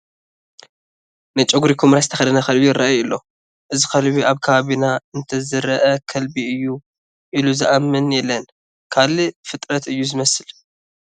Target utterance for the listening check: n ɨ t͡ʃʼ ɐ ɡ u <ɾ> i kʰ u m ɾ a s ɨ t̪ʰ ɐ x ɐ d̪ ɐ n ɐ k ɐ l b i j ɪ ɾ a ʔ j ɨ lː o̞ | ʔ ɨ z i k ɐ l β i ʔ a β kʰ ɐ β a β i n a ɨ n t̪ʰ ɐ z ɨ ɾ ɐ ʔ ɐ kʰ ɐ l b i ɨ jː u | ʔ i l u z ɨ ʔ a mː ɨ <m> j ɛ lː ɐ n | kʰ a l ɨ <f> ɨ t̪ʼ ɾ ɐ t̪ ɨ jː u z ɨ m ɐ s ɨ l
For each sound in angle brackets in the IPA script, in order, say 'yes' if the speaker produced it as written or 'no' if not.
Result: yes, no, yes

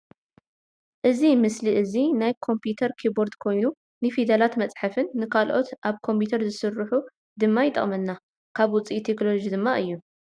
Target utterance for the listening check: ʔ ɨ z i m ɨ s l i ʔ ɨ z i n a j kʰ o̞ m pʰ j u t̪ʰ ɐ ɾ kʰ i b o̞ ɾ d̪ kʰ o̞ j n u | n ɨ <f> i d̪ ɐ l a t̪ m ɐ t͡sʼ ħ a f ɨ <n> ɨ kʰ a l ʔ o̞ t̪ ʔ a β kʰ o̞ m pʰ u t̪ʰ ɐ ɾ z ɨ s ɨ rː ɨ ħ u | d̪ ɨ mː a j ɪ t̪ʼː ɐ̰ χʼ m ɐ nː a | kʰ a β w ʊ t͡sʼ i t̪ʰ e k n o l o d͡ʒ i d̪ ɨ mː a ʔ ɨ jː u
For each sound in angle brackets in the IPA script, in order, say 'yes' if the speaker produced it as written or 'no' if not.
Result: yes, no

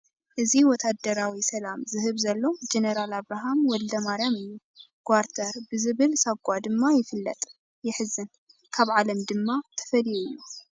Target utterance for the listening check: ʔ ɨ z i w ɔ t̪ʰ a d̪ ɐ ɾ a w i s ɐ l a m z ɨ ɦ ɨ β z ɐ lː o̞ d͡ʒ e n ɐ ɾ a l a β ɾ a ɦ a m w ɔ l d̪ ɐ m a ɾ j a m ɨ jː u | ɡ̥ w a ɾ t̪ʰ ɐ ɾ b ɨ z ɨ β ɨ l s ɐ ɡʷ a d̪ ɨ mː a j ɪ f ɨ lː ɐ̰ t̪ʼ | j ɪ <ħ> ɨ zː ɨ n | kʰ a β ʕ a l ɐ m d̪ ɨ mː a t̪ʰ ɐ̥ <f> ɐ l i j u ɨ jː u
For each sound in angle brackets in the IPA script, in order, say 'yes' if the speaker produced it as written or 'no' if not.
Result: yes, yes

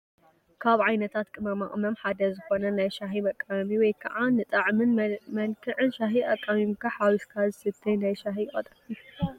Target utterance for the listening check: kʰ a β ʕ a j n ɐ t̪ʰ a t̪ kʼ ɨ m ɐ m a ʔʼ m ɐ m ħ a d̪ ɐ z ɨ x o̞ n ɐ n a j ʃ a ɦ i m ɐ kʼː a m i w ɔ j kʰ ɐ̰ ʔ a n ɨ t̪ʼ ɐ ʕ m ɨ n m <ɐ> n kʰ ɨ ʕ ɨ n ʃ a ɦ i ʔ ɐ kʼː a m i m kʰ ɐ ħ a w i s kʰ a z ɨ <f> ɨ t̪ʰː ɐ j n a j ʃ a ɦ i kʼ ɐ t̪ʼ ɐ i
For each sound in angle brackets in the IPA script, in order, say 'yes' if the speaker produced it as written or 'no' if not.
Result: yes, no

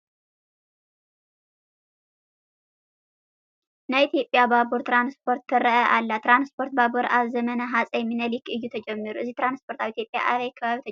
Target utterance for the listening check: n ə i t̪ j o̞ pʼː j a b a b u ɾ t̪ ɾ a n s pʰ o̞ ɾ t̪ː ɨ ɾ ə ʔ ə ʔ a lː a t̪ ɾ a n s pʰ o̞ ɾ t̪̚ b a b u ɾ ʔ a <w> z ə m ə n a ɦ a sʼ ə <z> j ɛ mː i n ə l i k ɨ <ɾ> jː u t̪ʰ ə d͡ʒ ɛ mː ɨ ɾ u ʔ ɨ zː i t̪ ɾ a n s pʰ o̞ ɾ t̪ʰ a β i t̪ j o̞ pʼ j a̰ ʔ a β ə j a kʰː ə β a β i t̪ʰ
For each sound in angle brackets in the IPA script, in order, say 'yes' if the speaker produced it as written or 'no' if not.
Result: no, no, no

